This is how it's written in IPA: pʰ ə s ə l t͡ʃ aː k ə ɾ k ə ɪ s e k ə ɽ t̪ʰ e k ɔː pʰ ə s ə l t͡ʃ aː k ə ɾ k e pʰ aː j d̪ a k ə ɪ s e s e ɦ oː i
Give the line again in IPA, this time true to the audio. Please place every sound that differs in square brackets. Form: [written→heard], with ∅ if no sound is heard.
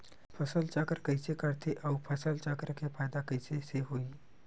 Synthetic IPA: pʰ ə s ə l t͡ʃ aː k ə ɾ k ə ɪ s e k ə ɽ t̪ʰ e [k→ʔ] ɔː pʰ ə s ə l t͡ʃ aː k ə ɾ k e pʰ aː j d̪ a k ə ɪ s e s e ɦ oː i